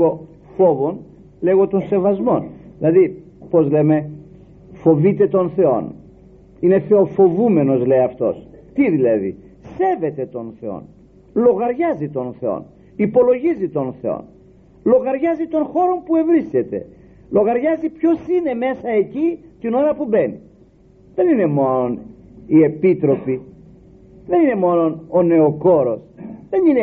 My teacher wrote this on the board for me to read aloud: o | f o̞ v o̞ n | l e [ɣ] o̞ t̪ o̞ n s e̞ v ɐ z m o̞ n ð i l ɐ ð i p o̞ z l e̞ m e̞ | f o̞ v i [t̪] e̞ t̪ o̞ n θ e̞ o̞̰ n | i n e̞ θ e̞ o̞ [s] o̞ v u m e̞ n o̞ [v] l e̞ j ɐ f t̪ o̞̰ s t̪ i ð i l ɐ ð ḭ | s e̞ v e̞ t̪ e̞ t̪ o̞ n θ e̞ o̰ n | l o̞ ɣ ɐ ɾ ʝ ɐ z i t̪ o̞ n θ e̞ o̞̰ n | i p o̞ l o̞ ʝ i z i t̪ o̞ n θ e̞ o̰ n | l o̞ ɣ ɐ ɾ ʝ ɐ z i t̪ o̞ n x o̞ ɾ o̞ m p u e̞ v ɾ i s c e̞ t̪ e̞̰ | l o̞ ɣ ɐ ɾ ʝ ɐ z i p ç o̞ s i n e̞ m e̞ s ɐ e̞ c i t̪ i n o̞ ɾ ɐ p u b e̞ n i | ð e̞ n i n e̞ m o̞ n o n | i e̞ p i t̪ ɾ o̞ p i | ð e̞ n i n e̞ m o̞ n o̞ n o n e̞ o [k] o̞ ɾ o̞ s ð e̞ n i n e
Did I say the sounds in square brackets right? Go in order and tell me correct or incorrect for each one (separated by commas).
correct, correct, incorrect, incorrect, correct